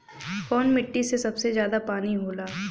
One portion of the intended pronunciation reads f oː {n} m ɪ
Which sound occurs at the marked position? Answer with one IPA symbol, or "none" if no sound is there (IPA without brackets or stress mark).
n